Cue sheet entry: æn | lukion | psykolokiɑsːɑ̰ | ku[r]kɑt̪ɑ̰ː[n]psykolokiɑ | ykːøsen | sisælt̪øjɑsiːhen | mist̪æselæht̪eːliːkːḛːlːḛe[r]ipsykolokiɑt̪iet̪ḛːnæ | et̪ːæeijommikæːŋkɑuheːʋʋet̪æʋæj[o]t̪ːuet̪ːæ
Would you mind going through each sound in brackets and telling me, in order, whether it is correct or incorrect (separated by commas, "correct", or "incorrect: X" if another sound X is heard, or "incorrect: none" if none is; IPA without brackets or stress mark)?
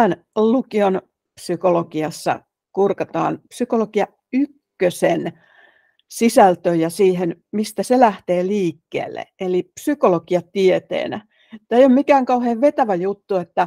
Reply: correct, correct, incorrect: l, incorrect: u